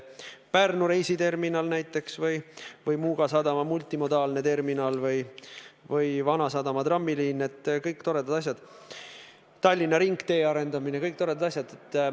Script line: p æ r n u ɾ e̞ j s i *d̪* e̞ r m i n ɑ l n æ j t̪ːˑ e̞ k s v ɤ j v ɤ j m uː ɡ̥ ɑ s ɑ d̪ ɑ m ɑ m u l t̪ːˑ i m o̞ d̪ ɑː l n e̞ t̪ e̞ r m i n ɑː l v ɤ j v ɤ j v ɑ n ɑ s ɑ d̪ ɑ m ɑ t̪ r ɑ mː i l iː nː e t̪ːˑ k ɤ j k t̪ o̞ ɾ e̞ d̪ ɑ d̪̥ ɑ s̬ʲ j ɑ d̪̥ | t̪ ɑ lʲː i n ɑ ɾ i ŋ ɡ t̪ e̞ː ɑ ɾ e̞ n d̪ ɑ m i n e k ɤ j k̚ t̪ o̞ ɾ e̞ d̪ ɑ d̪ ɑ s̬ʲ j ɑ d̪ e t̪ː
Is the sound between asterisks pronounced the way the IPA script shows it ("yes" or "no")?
no